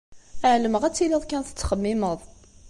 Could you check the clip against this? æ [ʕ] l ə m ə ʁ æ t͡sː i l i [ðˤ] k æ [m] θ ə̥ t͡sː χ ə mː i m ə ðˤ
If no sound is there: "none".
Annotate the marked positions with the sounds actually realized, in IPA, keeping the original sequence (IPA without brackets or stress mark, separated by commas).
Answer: ʕ, ðˤ, n